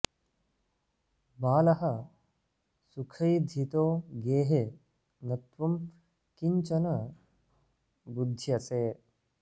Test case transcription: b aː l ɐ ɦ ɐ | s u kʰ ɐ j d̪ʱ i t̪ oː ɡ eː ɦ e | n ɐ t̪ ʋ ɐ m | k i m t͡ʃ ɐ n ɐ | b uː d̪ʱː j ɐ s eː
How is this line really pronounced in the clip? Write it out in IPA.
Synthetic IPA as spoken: b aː l ɐ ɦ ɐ | s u kʰ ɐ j d̪ʱ i t̪ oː ɡ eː ɦ e | n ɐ t̪ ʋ ɐ m | k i ɲ t͡ʃ ɐ n ɐ | b u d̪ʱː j ɐ s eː

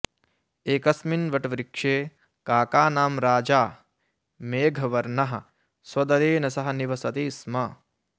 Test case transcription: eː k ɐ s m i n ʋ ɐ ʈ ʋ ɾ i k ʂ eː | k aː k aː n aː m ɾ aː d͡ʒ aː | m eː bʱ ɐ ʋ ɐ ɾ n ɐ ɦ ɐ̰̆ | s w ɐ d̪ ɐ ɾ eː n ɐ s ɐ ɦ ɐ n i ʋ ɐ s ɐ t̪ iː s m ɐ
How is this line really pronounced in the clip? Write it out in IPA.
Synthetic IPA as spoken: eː k ɐ s m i n ʋ ɐ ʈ ʋ ɾ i k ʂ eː | k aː k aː n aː m ɾ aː d͡ʒ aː | m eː ɡʱ ɐ ʋ ɐ ɾ n ɐ ɦ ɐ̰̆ | s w ɐ d̪ ɐ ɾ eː n ɐ s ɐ ɦ ɐ n i ʋ ɐ s ɐ t̪ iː s m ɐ

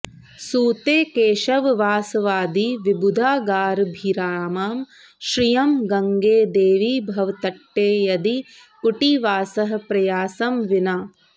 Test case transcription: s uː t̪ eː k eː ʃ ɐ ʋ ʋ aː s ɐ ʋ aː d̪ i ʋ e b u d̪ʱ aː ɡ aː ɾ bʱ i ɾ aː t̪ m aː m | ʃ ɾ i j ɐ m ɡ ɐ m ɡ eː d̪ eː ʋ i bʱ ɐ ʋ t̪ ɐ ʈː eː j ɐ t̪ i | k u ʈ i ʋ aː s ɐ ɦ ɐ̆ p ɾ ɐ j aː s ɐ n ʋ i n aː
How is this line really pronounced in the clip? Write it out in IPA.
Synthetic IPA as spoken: s uː t̪ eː k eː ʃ ɐ ʋ ʋ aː s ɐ ʋ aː d̪ i ʋ i b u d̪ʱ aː ɡ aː ɾ bʱ i ɾ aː m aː m | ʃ ɾ i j ɐ m ɡ ɐ ŋ ɡ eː d̪ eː ʋ i bʱ ɐ ʋ t̪ ɐ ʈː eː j ɐ d̪ i | k u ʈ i ʋ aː s ɐ ɦ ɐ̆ p ɾ ɐ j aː s ɐ m ʋ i n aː

